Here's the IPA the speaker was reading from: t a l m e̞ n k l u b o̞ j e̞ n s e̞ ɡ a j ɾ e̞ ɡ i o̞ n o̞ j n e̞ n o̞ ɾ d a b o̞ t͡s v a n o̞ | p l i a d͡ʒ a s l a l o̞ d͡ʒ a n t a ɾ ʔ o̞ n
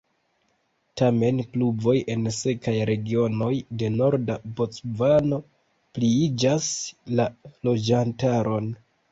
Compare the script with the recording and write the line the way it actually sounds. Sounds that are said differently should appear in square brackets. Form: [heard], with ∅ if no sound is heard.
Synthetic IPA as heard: t a [∅] m e̞ n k l u b o̞ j e̞ n s e̞ [k] a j ɾ e̞ ɡ i o̞ n o̞ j [d] e̞ n o̞ ɾ d a b o̞ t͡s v a n o̞ | p l i [i] d͡ʒ a s l a l o̞ d͡ʒ a n t a ɾ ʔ o̞ n